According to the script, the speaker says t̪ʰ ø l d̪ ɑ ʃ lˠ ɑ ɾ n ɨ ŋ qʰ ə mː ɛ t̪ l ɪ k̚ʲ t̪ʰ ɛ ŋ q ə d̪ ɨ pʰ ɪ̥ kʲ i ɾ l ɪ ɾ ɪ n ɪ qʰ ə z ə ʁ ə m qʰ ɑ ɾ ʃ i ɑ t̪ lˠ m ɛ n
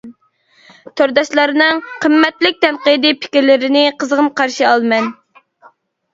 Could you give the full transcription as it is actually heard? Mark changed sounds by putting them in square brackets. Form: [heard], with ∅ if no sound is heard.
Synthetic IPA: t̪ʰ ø [ɾ] d̪ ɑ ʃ lˠ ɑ ɾ n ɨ ŋ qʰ ə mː ɛ t̪ l ɪ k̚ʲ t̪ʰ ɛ [n] q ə d̪ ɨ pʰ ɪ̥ kʲ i ɾ l ɪ ɾ ɪ n ɪ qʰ ə z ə ʁ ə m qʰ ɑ ɾ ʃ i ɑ [∅] lˠ m ɛ n